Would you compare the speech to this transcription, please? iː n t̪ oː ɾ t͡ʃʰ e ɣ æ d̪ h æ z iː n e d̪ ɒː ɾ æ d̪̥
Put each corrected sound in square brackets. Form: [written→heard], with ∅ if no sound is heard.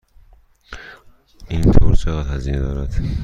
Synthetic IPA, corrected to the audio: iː n [t̪→t̪ʰ] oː ɾ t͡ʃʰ e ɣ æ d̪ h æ z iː n e d̪ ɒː ɾ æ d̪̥